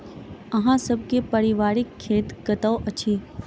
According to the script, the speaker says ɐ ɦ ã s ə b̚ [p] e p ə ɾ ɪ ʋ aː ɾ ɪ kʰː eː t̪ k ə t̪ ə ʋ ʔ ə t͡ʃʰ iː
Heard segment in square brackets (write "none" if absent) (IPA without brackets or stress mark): k